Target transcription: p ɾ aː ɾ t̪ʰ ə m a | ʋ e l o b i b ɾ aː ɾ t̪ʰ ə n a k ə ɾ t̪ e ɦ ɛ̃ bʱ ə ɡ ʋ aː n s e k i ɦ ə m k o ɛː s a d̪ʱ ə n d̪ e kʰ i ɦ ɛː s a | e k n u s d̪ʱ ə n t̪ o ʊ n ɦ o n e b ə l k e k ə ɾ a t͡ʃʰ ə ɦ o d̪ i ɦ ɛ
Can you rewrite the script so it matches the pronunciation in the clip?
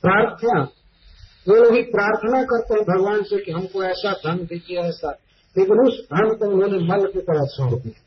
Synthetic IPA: p ɾ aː ɾ t̪ʰ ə n a | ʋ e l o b i p ɾ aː ɾ t̪ʰ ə n a k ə ɾ t̪ e ɦ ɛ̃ bʱ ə ɡ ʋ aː n s e k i ɦ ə m k o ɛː s a d̪ʱ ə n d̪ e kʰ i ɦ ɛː s a | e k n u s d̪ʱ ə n t̪ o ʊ n ɦ o n e m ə l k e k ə ɾ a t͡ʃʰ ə ɦ o t̪ i ɦ ɛ